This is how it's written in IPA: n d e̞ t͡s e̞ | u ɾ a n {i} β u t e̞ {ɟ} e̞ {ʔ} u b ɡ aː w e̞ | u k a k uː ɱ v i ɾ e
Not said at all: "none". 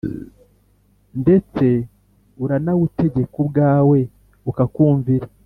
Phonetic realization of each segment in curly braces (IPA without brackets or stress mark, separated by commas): a, ɟ, k